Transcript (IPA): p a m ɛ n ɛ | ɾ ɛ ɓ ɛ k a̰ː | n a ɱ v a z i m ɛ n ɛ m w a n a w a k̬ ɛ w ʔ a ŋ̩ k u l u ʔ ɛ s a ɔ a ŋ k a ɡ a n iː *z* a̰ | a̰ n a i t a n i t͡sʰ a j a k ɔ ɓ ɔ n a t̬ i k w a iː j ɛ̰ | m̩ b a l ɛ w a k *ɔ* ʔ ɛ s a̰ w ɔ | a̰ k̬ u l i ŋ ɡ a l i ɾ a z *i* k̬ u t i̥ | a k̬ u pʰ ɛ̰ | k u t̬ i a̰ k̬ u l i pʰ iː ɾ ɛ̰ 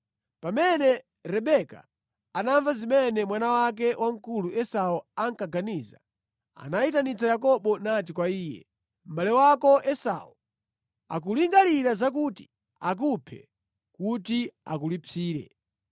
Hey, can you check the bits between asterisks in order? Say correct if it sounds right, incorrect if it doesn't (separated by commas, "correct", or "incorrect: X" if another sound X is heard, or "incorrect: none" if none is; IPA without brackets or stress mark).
correct, correct, incorrect: a